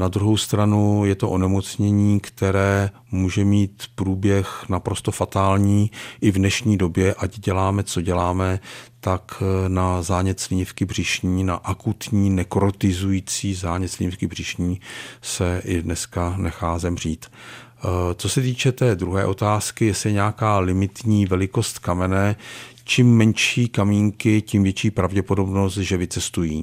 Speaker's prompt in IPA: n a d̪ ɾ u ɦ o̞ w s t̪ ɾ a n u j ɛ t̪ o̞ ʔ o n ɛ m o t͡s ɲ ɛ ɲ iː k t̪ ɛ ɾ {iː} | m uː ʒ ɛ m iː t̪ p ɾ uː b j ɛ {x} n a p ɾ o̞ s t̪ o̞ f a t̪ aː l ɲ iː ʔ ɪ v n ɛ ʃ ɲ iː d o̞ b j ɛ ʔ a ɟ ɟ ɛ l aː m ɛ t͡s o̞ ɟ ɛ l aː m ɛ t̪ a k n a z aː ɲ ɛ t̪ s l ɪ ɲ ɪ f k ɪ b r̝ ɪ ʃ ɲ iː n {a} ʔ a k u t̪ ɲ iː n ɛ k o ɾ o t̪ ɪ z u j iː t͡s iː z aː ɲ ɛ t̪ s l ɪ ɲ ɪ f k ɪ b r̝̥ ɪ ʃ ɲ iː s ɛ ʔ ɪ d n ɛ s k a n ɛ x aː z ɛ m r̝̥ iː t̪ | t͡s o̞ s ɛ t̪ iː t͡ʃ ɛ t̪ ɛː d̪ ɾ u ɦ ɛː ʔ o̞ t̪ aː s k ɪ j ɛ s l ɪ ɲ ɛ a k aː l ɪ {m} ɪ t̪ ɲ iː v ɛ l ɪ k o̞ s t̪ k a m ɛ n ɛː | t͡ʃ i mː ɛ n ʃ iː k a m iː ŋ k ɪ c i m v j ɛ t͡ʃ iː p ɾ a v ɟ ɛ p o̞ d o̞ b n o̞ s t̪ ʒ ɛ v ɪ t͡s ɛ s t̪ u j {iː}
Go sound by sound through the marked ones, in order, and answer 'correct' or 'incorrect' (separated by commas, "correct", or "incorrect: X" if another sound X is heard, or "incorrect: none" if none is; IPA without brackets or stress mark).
incorrect: ɛː, correct, correct, correct, correct